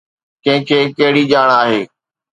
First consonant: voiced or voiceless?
voiceless